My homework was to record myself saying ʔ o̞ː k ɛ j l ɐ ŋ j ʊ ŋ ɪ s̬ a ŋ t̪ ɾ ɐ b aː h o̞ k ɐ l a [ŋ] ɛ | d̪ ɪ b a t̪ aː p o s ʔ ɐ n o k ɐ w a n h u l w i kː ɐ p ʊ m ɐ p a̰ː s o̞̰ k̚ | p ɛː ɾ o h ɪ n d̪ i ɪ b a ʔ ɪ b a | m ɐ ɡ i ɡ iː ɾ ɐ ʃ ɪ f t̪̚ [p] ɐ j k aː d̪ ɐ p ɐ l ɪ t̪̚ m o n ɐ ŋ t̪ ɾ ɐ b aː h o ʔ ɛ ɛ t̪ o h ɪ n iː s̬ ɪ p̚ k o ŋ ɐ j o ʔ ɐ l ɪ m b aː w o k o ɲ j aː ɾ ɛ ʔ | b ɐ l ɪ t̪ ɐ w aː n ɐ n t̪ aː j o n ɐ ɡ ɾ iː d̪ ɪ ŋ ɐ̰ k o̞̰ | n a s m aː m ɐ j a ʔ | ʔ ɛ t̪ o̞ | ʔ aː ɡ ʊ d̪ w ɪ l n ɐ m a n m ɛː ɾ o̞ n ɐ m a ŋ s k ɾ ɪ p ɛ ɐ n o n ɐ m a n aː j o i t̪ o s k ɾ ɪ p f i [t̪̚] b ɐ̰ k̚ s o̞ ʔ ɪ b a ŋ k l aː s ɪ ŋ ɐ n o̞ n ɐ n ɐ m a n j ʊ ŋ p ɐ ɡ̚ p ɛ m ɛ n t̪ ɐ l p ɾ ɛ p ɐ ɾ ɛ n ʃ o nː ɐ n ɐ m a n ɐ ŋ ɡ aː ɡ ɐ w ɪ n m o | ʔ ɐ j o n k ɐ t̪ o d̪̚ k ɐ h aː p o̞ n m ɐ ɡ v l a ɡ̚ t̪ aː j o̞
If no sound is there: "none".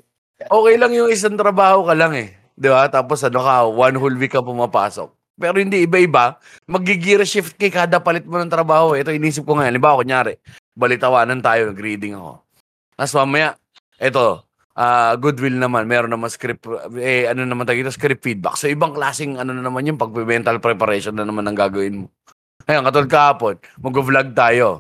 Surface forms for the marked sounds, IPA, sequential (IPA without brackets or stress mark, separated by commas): ŋ, k, d̪̚